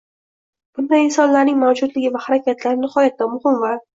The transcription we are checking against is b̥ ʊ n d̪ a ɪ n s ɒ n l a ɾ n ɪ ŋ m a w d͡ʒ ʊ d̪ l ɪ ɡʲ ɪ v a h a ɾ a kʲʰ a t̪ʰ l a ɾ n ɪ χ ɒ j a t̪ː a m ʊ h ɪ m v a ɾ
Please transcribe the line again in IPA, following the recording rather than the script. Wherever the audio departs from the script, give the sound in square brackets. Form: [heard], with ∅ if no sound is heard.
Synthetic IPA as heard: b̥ ʊ n d̪ a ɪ n s ɒ n l a ɾ n ɪ ŋ m a w d͡ʒ ʊ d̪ l ɪ ɡʲ ɪ v a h a ɾ a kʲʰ a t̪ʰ l a ɾ n ɪ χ ɒ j a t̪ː a m ʊ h ɪ m v a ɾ